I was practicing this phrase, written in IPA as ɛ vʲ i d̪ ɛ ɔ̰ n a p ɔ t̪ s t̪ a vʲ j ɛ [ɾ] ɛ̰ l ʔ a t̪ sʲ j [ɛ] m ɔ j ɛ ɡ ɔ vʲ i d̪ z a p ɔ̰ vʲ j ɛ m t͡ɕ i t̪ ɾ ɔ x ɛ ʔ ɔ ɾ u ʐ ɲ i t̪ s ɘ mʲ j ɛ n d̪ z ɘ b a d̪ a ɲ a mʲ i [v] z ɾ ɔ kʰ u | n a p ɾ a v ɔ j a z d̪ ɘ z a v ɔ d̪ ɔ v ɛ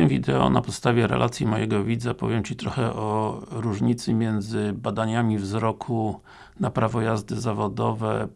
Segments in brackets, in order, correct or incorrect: correct, incorrect: i, correct

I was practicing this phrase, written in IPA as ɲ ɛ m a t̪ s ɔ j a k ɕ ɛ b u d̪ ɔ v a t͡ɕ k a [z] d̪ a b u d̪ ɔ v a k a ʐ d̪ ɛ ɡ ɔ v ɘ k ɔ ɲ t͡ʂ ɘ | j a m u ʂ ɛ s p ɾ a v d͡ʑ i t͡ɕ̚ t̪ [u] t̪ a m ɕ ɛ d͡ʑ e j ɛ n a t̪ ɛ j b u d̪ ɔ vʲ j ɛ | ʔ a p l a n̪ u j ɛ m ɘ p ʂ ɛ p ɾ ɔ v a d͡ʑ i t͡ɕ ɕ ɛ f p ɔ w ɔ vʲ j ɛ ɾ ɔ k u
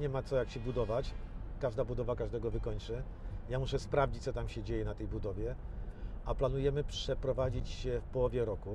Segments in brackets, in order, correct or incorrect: incorrect: ʐ, incorrect: ɔ

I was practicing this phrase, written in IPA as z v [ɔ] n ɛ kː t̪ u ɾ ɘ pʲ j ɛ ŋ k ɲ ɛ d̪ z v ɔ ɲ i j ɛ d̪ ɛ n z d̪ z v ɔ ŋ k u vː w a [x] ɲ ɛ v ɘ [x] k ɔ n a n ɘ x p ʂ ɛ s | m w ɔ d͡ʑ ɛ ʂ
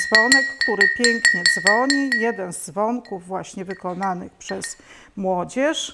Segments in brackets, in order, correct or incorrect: correct, incorrect: ɕ, incorrect: none

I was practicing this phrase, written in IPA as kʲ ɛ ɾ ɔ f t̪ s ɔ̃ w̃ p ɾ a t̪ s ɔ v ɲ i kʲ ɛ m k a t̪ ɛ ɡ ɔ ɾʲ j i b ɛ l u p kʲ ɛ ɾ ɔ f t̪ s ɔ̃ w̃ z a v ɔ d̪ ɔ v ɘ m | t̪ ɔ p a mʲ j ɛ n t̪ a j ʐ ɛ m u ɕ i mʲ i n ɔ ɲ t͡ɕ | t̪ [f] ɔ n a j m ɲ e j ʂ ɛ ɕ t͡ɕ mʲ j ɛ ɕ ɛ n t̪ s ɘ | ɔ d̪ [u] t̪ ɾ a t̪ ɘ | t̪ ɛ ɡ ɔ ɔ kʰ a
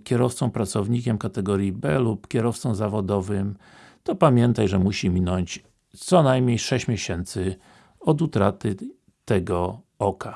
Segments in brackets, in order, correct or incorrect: incorrect: s, correct

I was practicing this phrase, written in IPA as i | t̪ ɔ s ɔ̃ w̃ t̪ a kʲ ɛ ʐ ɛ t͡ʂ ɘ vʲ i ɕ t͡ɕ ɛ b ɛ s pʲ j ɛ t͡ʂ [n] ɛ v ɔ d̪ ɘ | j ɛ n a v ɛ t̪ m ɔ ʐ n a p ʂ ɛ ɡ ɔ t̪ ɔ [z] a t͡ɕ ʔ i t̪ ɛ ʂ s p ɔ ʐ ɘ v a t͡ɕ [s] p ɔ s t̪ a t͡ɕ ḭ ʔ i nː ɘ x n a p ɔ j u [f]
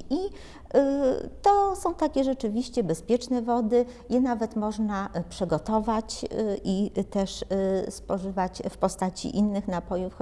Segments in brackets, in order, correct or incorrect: correct, incorrect: v, incorrect: f, correct

